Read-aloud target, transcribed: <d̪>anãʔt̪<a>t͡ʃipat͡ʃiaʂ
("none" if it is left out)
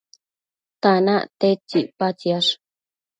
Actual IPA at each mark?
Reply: t̪, e

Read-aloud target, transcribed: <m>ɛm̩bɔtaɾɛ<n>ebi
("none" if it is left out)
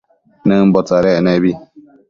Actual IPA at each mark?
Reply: n, n

